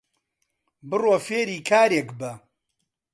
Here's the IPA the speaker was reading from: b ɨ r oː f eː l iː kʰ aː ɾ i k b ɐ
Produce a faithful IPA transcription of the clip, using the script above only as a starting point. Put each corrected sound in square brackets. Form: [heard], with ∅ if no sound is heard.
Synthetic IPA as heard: b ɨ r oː f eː [ɾ] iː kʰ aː ɾ [e] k b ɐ